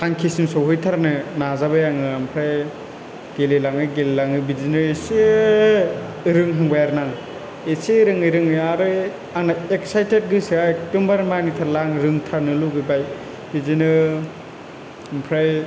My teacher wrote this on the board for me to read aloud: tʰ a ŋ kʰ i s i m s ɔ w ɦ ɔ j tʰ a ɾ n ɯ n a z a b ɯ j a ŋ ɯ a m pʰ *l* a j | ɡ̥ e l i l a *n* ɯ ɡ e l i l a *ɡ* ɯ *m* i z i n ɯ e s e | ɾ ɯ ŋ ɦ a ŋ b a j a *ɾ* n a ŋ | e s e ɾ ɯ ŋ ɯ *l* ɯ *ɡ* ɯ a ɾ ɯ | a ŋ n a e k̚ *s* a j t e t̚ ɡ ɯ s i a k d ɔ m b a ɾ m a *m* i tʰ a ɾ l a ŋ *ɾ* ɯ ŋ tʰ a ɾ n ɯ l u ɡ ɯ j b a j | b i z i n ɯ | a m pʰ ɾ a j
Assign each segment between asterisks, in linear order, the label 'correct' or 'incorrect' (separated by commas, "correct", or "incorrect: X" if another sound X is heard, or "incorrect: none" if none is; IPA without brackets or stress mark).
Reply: incorrect: ɾ, incorrect: ŋ, incorrect: ŋ, incorrect: b, correct, incorrect: ɾ, incorrect: ŋ, correct, incorrect: n, correct